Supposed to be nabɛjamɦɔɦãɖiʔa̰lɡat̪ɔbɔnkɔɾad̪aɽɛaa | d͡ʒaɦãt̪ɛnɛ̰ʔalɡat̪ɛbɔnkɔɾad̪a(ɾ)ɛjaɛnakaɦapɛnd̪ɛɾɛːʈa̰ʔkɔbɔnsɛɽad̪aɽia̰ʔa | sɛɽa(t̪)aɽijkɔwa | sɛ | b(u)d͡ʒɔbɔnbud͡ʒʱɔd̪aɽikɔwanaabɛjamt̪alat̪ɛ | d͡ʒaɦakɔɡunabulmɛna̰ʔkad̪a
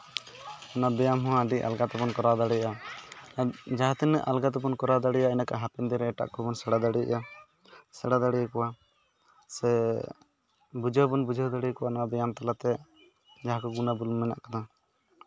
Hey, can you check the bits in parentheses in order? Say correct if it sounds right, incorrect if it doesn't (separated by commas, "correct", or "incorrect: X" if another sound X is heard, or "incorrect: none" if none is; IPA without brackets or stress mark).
incorrect: ɽ, incorrect: d̪, correct